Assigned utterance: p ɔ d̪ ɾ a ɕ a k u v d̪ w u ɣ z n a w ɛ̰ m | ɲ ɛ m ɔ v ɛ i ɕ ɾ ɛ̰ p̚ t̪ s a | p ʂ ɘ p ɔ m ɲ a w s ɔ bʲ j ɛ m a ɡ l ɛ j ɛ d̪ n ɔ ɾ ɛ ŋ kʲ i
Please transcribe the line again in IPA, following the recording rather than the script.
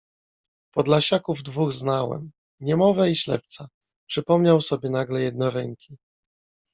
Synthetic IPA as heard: p ɔ d̪ l a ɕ a k u v d̪ v u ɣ z n a w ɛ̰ m | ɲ ɛ m ɔ v ɛ i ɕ l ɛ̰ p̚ t̪ s a | p ʂ ɘ p ɔ m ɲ a w s ɔ bʲ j ɛ n a ɡ l ɛ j ɛ d̪ n ɔ ɾ ɛ ŋ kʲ i